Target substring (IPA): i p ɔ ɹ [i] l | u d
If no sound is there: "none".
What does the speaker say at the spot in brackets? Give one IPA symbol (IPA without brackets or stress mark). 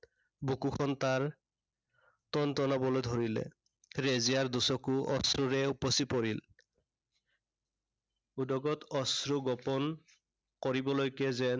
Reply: i